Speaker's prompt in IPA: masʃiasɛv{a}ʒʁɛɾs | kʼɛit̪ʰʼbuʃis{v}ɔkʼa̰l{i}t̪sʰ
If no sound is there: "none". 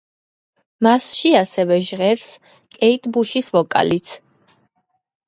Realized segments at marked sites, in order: ɛ, v, i

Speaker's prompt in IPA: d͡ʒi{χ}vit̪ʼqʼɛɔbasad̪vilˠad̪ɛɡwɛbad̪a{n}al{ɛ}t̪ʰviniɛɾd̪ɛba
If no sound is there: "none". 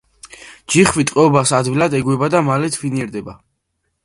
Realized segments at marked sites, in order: χ, m, ɛ

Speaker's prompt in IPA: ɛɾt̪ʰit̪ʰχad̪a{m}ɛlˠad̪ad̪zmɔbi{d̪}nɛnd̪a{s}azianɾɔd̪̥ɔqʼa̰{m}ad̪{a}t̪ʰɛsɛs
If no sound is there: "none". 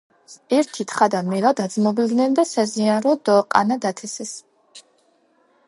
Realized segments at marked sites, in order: m, d̪, s, n, a

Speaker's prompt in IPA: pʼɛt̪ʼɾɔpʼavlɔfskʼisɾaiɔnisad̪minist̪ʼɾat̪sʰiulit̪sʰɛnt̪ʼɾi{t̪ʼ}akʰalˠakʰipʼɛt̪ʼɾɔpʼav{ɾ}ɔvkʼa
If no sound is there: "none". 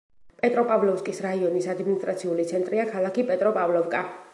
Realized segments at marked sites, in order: none, l

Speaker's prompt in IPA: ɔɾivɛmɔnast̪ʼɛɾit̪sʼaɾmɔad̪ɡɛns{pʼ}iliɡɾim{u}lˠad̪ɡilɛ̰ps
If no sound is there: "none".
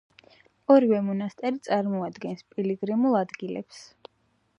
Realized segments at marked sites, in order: pʼ, u

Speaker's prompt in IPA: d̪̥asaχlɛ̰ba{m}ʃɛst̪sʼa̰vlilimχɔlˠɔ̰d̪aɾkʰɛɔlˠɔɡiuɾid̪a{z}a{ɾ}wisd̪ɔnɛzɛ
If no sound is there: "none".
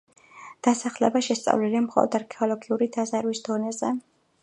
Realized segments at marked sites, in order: none, z, ɾ

